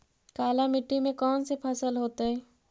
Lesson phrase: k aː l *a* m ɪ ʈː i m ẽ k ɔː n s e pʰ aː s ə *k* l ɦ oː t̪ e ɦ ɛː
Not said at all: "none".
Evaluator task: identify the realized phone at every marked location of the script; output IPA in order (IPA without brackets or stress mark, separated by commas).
a, none